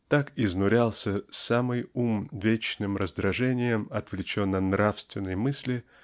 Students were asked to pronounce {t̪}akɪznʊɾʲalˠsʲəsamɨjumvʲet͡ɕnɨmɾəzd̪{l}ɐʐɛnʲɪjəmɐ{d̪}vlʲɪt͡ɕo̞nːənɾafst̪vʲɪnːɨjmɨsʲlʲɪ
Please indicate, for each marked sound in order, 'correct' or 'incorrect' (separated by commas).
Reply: correct, incorrect, incorrect